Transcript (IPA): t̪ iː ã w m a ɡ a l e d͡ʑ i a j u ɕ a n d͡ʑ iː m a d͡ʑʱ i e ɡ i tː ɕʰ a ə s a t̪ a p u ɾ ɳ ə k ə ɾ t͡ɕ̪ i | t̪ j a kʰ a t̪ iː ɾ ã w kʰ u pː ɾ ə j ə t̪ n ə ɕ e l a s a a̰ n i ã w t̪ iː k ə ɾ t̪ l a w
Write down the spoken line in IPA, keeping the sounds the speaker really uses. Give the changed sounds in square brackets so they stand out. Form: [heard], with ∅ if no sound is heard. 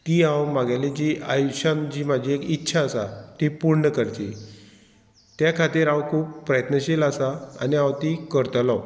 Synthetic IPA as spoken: t̪ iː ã w m a ɡ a l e d͡ʑ i a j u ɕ a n d͡ʑ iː m a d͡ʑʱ i e [k] i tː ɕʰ a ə s a t̪ [i] p u ɾ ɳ ə k ə ɾ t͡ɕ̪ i | t̪ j a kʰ a t̪ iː ɾ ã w kʰ [uː] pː ɾ ə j ə t̪ n ə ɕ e l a s a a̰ n i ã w t̪ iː k ə ɾ t̪ l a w